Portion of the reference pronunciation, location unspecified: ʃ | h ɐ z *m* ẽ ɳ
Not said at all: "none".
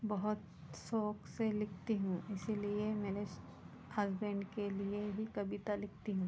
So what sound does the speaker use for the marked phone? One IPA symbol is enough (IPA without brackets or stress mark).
b